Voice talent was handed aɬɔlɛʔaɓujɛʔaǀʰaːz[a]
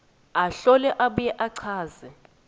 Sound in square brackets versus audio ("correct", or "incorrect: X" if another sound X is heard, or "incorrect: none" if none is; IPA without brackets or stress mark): incorrect: ɛ